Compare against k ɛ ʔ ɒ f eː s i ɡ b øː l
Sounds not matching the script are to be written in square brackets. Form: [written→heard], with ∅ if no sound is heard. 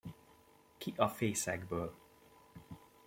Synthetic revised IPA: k [ɛ→i] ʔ ɒ f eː s [i→ɛ] ɡ b øː l